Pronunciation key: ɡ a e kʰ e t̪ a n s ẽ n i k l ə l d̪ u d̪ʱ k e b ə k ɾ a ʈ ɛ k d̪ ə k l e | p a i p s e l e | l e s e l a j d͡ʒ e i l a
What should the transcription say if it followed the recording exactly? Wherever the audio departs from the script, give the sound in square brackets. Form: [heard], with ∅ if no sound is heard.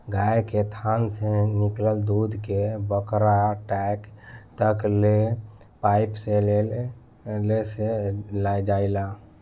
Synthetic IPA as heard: ɡ a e [k] e [t̪ʰ] a n s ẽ n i k l ə l d̪ u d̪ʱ k e b ə k ɾ a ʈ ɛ k [t̪] ə k l e | p a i p s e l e | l e s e l a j d͡ʒ [a] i l a